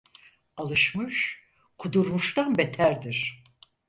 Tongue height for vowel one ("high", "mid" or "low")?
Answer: low